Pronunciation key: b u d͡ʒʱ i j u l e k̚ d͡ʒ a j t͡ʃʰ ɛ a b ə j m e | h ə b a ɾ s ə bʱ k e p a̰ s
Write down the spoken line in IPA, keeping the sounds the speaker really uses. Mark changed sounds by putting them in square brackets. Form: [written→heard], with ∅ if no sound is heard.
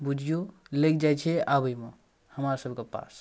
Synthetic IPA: b u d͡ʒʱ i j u l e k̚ d͡ʒ a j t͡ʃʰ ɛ a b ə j m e | h ə [b→m] a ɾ s ə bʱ k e p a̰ s